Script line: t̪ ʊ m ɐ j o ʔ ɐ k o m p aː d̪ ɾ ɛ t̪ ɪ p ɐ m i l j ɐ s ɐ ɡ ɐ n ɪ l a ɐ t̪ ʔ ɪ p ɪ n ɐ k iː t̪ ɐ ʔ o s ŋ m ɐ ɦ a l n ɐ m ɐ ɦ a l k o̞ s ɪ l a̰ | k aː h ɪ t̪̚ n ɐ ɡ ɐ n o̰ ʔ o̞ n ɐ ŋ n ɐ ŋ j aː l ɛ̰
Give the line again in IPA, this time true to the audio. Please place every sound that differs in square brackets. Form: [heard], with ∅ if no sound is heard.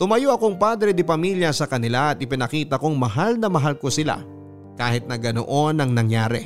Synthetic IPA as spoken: t̪ ʊ m ɐ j o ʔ ɐ k o [ŋ] p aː d̪ ɾ ɛ [d̪] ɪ p ɐ m i l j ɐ s ɐ [k] ɐ n ɪ l a ɐ t̪ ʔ ɪ p ɪ n ɐ k iː t̪ ɐ [k] o [∅] ŋ m ɐ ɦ a l n ɐ m ɐ ɦ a l k o̞ s ɪ l a̰ | k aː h ɪ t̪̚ n ɐ ɡ ɐ n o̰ ʔ o̞ n ɐ ŋ n ɐ ŋ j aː [ɾ] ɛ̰